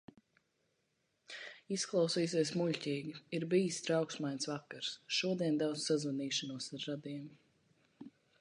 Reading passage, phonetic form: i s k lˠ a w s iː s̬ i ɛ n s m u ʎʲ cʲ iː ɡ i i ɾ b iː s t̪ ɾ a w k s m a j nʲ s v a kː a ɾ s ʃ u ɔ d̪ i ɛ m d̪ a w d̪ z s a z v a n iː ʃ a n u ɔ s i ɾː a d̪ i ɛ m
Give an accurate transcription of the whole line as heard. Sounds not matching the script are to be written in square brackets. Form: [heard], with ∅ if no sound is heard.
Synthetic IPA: i s k lˠ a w s iː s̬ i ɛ [∅] s m u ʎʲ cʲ iː ɡ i i ɾ b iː s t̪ ɾ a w k s m a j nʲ s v a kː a ɾ s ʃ u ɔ d̪ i ɛ [n] d̪ a w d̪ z s a z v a n iː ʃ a n u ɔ s [a] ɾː a d̪ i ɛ m